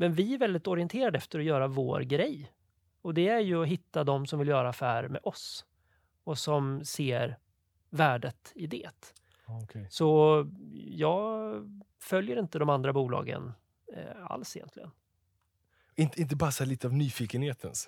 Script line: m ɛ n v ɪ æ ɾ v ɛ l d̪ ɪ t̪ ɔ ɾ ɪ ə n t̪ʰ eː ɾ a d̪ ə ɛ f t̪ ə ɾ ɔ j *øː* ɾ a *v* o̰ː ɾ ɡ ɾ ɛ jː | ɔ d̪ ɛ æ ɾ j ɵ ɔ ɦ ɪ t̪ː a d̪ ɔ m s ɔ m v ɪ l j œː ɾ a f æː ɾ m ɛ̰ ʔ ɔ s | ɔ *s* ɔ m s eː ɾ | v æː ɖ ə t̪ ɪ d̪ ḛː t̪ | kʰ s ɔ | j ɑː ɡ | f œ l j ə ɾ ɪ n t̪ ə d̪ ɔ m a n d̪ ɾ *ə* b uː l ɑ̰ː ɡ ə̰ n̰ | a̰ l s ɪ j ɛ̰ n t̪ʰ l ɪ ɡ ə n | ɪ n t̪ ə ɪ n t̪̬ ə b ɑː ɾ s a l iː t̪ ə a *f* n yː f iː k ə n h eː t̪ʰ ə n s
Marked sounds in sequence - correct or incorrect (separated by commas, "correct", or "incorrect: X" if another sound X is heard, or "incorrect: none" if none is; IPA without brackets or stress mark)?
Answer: incorrect: œː, correct, correct, incorrect: a, incorrect: v